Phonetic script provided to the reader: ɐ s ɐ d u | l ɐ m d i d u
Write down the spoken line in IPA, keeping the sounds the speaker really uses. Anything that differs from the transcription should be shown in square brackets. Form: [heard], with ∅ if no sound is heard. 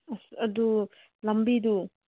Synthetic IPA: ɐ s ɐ d u | l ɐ m [b] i d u